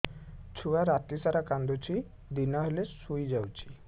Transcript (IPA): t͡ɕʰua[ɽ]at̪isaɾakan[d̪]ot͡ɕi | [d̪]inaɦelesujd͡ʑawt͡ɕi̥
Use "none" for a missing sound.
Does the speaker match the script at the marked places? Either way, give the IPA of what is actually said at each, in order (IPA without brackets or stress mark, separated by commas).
ɾ, d̪, d̪